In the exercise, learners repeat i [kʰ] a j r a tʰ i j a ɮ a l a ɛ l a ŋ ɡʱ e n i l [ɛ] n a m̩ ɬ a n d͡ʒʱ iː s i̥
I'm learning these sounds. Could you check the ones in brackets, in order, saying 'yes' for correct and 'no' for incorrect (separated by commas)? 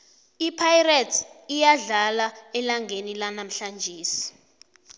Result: no, no